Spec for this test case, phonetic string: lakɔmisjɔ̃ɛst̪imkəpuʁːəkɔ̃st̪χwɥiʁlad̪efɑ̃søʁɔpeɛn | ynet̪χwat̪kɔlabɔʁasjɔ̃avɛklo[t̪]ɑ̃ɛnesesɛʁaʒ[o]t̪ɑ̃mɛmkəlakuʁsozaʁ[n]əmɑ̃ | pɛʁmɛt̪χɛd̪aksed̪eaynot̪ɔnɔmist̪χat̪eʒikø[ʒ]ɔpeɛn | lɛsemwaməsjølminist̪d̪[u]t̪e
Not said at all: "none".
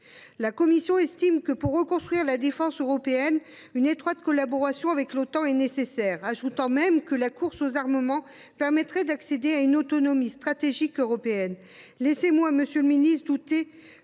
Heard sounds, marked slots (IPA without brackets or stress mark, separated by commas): t̪, u, m, ʁ, u